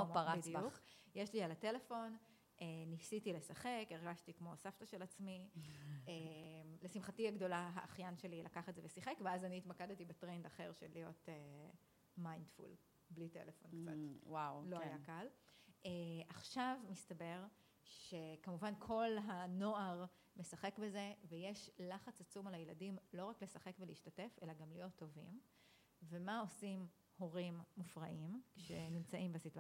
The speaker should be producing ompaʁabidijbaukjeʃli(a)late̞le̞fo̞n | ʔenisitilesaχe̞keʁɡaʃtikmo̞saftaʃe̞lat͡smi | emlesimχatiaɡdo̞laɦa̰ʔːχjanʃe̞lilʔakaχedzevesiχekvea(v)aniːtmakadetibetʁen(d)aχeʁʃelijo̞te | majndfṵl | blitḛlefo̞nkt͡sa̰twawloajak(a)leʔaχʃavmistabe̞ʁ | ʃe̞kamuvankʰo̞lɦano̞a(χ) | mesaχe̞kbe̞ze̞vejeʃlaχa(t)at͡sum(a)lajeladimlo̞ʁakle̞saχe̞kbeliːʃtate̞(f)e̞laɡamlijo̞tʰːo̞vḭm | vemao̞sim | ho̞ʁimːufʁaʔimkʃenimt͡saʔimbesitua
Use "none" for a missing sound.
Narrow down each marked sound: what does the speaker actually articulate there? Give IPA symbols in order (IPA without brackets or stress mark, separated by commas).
a, z, d, a, ʁ, t͡s, a, f